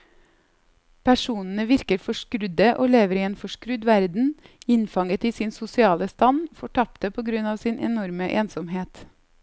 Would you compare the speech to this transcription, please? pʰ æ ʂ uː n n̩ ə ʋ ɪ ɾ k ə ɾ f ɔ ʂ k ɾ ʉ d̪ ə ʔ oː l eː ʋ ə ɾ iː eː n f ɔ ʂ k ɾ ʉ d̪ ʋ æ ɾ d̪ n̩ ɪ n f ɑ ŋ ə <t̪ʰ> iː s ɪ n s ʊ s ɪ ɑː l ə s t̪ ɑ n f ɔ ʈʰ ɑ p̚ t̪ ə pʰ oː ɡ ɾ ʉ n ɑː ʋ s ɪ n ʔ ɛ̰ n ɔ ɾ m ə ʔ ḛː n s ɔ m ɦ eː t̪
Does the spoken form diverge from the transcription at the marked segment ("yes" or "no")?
yes